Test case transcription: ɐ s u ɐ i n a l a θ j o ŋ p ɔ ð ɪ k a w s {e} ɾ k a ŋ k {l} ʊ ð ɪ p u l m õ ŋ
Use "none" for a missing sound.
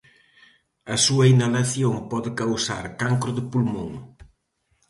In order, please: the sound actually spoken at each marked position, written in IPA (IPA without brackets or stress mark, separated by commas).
a, ɾ